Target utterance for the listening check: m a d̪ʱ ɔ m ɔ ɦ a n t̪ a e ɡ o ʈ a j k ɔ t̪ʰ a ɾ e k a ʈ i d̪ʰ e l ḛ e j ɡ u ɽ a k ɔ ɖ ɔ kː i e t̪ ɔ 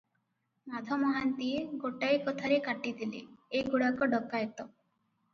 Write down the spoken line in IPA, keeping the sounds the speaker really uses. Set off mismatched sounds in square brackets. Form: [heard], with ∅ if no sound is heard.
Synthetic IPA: m a d̪ʱ ɔ m ɔ ɦ a n t̪ [i] e ɡ o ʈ a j k ɔ t̪ʰ a ɾ e k a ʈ i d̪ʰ [i] l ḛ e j ɡ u ɽ a k ɔ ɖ ɔ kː [a] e t̪ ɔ